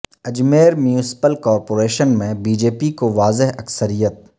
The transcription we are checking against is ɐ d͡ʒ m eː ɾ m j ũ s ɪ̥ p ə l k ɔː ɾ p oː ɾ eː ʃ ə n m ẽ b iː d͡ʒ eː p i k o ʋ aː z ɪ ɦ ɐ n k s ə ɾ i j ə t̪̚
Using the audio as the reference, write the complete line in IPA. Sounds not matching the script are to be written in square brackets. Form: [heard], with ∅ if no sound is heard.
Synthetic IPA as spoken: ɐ d͡ʒ m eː ɾ m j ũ s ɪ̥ p ə l k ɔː ɾ p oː ɾ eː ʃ ə n m ẽ b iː d͡ʒ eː p i k o ʋ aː z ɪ ɦ ɐ [∅] k s ə ɾ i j ə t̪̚